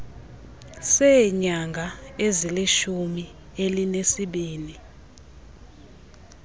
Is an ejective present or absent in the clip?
absent